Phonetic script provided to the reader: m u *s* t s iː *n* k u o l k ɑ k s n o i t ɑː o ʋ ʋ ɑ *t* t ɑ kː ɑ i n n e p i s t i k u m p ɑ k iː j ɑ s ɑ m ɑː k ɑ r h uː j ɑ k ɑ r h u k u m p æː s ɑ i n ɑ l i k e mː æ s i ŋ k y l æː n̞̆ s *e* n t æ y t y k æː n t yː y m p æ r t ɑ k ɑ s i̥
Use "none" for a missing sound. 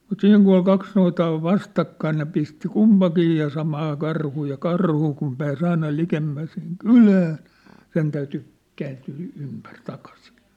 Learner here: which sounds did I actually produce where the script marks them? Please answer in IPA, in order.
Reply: none, ŋ, s, e

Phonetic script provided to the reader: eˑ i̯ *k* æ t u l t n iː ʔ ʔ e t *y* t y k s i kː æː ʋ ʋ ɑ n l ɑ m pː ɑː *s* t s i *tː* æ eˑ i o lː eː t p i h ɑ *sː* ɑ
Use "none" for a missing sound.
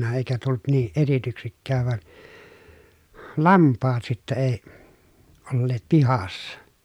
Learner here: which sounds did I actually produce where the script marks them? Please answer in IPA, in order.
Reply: k, i, none, tː, sː

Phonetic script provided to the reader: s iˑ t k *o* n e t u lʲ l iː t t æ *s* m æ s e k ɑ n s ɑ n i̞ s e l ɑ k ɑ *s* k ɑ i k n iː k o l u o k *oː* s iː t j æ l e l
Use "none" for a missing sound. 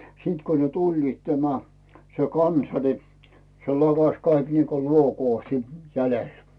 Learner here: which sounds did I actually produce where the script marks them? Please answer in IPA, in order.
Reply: o, none, s, oː

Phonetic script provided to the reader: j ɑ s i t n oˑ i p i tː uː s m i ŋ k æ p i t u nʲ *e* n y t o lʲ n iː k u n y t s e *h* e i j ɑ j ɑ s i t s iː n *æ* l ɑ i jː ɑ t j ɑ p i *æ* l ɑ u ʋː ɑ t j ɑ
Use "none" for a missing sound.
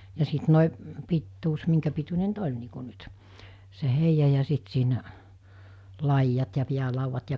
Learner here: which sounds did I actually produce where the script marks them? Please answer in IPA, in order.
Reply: e, h, æ, æ

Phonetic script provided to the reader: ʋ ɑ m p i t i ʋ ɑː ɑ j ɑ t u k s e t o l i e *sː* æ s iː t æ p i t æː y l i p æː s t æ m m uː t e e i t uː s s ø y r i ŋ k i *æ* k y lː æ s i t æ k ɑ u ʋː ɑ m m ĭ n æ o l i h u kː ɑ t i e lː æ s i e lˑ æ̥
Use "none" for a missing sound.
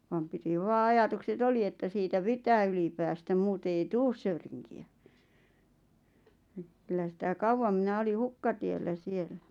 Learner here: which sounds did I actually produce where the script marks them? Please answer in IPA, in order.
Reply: tː, æ

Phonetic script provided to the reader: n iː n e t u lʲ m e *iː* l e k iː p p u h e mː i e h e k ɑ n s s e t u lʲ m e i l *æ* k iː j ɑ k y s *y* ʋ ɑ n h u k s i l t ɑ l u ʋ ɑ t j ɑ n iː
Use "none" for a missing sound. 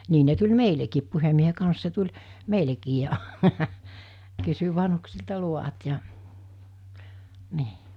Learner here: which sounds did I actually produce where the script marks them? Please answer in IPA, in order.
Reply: i, e, y

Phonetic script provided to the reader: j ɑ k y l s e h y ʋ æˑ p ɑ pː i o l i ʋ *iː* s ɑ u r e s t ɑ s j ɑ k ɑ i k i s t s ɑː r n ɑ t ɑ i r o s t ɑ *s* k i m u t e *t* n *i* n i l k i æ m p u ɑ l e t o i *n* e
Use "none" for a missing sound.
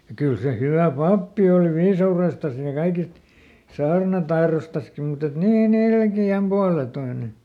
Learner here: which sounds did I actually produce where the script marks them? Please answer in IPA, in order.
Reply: iː, s, t, iː, n

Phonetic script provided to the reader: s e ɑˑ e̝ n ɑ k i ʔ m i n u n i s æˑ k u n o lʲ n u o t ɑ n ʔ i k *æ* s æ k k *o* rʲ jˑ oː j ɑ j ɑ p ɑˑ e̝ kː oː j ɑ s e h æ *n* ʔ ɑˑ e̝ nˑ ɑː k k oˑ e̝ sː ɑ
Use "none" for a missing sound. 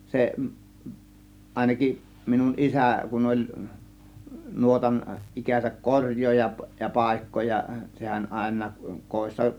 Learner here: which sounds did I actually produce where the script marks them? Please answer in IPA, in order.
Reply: æ, o, n

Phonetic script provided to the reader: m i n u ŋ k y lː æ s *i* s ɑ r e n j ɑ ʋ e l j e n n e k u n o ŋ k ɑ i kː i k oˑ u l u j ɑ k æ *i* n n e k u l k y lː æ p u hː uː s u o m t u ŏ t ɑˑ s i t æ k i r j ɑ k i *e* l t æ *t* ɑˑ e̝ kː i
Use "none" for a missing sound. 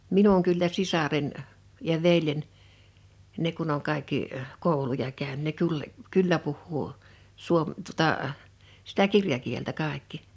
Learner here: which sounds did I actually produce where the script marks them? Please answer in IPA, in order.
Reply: i, y, e, k

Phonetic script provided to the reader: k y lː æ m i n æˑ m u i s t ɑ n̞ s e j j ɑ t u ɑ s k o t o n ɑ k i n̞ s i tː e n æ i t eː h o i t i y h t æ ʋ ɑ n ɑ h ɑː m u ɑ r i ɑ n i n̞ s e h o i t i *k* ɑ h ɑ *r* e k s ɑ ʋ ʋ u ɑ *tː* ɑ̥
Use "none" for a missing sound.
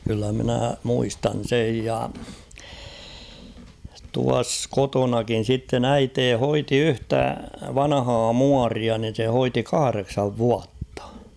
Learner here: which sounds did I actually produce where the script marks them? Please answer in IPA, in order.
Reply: k, r, tː

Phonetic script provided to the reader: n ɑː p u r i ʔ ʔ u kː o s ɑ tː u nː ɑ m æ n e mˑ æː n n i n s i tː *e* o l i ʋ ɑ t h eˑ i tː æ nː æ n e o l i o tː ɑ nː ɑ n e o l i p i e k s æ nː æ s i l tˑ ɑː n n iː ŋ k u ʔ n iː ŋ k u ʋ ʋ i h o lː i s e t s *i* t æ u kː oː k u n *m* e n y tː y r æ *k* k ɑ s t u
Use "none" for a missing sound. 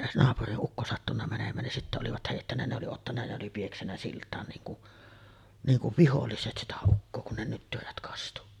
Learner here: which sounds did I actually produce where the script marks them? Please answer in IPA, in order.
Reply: æ, i, n, t

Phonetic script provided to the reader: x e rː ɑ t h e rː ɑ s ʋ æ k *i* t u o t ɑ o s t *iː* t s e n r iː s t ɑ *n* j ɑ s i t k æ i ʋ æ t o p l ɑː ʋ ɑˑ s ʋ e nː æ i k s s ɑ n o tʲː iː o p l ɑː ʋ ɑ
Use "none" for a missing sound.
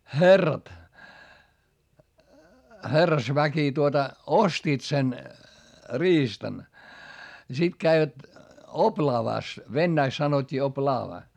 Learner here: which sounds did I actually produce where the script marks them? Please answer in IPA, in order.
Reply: i, iː, n

